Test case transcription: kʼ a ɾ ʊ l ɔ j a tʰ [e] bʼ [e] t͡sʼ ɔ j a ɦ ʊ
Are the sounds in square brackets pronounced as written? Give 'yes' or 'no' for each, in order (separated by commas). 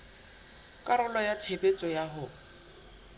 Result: yes, yes